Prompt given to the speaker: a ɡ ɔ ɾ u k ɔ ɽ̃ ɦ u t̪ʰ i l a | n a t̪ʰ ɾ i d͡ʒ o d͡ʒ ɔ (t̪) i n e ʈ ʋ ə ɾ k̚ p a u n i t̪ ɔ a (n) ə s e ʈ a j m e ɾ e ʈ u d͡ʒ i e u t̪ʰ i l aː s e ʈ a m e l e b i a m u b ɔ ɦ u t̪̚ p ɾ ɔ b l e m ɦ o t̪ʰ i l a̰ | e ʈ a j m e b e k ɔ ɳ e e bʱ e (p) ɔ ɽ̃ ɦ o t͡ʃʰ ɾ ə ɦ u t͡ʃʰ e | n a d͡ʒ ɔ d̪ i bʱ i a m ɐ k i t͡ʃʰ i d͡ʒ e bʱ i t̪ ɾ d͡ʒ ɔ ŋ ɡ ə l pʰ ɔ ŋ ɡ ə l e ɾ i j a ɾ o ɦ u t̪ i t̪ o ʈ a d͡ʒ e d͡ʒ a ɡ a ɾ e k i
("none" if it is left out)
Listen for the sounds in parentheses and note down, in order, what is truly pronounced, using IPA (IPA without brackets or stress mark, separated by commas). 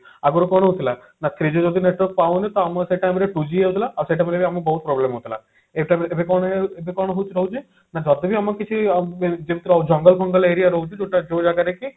d̪, m, k